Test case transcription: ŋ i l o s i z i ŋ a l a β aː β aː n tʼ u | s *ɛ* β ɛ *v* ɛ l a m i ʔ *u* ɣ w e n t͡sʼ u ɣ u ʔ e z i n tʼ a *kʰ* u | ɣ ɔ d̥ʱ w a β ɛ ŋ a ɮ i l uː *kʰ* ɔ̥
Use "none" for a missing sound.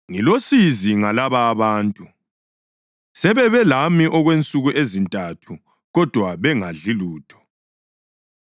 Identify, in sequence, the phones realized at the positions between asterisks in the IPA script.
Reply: ɛ, β, ɔ, tʰ, tʰ

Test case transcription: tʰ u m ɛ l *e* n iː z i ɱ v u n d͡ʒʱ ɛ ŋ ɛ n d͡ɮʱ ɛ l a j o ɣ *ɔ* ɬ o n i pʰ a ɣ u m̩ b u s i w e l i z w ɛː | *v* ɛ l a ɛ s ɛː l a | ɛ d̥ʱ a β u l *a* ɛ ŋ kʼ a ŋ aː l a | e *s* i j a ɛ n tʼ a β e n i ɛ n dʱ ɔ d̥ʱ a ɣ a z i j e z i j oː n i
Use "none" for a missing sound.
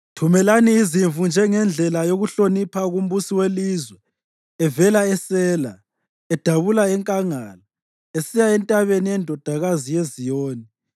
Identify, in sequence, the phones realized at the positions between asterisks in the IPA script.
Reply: a, u, v, a, s

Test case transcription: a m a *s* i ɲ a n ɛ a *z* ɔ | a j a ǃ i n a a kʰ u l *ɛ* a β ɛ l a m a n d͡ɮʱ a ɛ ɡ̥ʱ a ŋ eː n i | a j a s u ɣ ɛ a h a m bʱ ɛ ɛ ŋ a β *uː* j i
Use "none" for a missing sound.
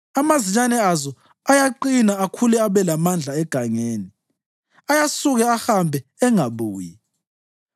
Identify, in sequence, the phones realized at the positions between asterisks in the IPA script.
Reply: z, z, ɛ, uː

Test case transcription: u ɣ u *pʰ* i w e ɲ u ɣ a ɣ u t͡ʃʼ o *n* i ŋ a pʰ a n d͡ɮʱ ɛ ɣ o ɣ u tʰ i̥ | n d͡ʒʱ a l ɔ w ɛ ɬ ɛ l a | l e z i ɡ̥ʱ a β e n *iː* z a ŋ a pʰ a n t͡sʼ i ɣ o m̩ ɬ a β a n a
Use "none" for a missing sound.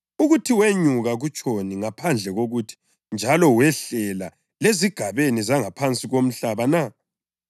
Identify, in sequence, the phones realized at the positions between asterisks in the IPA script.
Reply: tʰ, n, i

